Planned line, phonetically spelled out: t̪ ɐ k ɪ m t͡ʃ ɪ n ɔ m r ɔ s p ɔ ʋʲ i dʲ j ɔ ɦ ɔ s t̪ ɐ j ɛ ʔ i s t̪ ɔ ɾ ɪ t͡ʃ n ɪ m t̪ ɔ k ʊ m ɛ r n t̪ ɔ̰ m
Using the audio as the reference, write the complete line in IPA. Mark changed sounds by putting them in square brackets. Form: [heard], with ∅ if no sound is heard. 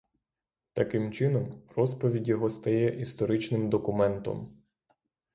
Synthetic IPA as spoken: t̪ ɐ k ɪ m t͡ʃ ɪ n ɔ m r ɔ s p ɔ ʋʲ i dʲ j ɔ ɦ ɔ s t̪ ɐ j ɛ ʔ i s t̪ ɔ ɾ ɪ t͡ʃ n ɪ m [d̪] ɔ k ʊ m ɛ [∅] n t̪ ɔ̰ m

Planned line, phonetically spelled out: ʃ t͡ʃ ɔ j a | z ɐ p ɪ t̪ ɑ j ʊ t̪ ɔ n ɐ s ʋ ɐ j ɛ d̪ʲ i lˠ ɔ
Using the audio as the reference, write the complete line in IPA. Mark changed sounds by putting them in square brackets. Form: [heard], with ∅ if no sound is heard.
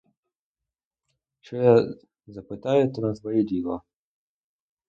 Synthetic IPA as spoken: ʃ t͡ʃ ɔ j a | z ɐ p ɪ t̪ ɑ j ʊ t̪ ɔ n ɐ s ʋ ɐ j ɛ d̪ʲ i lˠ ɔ

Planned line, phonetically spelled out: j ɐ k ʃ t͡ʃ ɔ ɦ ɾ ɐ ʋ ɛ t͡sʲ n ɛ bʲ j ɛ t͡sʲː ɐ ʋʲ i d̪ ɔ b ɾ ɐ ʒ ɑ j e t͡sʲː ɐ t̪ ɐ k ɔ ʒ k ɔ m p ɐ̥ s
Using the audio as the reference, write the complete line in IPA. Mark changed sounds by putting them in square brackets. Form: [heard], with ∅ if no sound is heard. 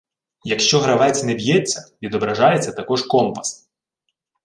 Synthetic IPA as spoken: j ɐ k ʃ t͡ʃ ɔ ɦ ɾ ɐ ʋ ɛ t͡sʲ n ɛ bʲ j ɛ t͡sʲː ɐ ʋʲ i d̪ ɔ b ɾ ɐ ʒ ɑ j e t͡sʲː ɐ t̪ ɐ k ɔ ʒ k ɔ m p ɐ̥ s

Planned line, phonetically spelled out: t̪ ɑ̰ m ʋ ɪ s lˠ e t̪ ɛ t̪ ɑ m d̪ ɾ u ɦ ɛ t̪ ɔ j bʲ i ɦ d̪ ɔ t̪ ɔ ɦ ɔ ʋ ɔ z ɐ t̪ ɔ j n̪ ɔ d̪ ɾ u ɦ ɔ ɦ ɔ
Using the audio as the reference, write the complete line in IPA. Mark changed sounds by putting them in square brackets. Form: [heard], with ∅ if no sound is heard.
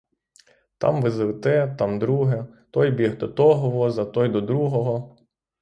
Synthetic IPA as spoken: t̪ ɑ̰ m ʋ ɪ [z] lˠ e t̪ ɛ t̪ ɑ m d̪ ɾ u ɦ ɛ t̪ ɔ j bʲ i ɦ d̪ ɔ t̪ ɔ ɦ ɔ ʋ ɔ z ɐ t̪ ɔ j [d̪] ɔ d̪ ɾ u ɦ ɔ ɦ ɔ

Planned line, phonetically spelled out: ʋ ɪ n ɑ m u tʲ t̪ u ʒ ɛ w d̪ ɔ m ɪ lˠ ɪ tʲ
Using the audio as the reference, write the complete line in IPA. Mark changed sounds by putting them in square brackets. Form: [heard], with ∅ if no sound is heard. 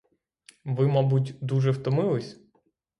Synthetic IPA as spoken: ʋ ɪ [m] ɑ [b] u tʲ [d̪] u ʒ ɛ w [t̪] ɔ m ɪ lˠ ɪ [sʲ]

